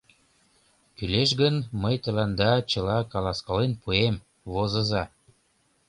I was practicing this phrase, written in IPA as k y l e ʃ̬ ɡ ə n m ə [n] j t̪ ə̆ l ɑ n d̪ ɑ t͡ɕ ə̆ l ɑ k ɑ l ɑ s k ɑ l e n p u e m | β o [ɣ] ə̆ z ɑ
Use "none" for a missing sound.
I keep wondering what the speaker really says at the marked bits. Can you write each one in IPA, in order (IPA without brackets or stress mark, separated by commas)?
none, z